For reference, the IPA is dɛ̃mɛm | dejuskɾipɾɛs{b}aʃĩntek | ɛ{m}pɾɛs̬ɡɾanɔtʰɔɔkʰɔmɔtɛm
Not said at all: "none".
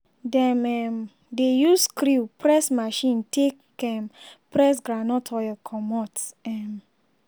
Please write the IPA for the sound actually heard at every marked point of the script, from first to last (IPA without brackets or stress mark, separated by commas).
m, m